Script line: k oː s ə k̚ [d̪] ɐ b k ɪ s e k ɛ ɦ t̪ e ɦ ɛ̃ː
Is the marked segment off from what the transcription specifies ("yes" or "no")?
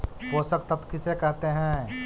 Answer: yes